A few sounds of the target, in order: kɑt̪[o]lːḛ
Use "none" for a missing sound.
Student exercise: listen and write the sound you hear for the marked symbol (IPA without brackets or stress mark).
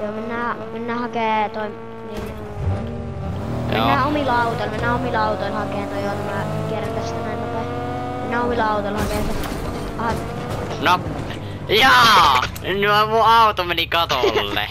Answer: o